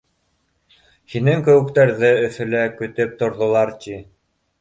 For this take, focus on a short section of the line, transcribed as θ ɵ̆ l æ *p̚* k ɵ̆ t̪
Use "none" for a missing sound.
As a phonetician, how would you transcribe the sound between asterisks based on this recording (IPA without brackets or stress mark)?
none